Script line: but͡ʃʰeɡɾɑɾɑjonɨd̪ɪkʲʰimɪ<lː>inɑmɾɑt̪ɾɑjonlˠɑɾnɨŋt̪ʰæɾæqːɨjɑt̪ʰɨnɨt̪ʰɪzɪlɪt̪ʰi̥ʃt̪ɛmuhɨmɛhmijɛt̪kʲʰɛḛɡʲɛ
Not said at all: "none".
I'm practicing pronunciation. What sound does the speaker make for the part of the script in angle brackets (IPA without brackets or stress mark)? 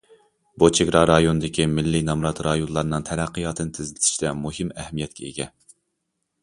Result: lː